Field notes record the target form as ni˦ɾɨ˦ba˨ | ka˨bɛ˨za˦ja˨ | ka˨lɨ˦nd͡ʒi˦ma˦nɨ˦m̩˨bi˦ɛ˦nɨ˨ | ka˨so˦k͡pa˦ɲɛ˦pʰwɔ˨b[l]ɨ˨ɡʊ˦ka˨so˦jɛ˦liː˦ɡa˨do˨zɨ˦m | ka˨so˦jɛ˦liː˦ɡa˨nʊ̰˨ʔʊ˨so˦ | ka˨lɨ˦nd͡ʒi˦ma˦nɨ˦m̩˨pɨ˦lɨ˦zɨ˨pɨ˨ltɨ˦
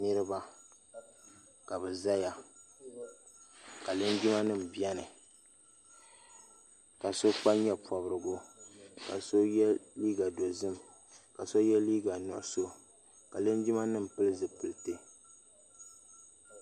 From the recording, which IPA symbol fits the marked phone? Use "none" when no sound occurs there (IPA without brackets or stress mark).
ɾ